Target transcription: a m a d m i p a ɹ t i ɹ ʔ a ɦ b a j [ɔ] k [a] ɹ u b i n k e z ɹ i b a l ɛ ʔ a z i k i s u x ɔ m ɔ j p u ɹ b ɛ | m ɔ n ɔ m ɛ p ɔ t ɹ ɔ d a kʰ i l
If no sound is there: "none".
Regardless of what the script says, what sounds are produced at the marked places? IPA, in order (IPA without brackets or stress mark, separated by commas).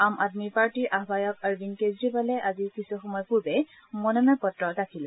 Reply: ɔ, a